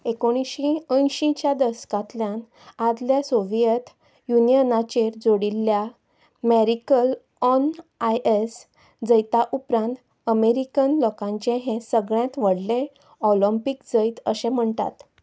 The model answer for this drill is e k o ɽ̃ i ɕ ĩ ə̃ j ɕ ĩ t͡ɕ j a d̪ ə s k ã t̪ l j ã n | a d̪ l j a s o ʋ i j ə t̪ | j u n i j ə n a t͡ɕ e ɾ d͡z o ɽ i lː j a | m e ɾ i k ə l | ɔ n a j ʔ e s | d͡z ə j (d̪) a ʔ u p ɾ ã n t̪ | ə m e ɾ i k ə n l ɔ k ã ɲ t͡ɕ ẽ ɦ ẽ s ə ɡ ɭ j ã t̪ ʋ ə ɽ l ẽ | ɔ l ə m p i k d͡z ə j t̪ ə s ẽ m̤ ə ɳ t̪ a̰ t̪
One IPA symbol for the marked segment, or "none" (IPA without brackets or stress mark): t̪